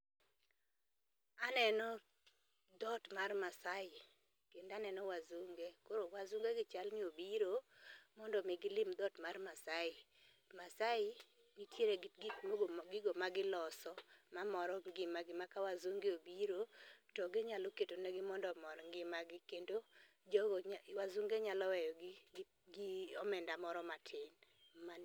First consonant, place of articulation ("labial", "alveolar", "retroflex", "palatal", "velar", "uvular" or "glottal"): alveolar